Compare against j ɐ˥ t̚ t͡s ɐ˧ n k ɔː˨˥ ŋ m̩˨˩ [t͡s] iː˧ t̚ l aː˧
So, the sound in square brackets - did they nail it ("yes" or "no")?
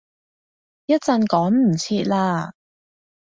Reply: no